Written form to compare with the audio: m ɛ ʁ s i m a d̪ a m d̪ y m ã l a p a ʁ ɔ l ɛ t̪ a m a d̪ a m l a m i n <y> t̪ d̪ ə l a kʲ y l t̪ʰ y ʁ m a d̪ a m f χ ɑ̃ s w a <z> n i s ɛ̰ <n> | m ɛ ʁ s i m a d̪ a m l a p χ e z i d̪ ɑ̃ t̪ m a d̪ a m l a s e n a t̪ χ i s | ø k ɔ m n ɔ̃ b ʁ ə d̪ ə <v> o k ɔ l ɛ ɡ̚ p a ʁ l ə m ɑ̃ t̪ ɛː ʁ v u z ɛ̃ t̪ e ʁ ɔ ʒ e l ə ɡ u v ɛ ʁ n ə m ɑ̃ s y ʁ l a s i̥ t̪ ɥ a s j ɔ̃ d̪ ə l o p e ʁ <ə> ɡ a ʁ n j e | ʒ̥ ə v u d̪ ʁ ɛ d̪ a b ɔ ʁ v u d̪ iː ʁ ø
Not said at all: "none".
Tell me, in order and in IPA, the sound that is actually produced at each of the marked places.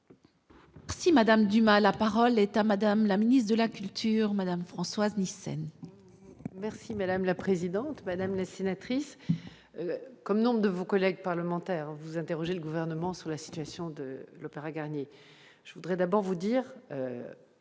i, z, n, v, a

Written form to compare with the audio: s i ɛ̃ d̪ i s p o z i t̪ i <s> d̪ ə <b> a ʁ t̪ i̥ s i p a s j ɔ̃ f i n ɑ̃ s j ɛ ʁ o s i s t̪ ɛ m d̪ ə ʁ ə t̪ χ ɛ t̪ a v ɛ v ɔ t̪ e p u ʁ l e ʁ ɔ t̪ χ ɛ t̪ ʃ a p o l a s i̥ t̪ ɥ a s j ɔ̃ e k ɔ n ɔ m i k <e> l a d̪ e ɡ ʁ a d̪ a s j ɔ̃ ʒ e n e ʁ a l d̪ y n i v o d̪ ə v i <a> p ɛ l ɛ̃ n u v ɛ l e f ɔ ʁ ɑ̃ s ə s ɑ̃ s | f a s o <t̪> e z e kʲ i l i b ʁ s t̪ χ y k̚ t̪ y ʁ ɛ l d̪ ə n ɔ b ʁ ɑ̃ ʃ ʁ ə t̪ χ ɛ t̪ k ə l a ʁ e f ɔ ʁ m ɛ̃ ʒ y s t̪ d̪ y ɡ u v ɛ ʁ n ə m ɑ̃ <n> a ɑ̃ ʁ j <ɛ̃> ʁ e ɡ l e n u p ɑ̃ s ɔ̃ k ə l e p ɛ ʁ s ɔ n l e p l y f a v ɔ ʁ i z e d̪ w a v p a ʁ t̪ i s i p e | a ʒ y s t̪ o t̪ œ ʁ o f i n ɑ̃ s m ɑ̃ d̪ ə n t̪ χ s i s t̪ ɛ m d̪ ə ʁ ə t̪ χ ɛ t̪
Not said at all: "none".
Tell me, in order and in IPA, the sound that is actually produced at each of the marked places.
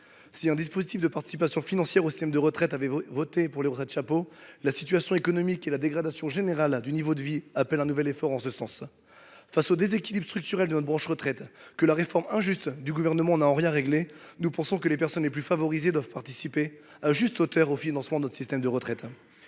f, p, e, a, d̪, n, ɛ̃

